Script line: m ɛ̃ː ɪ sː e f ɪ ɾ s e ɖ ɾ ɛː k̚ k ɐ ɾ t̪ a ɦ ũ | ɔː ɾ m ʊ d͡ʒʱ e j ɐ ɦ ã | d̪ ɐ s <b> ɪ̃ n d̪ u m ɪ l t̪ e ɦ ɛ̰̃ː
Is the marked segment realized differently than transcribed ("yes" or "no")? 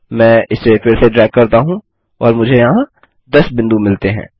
no